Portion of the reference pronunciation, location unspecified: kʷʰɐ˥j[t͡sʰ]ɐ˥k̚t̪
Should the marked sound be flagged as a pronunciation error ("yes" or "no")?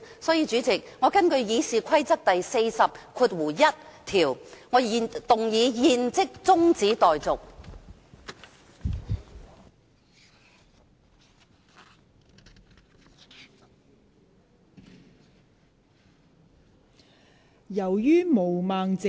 yes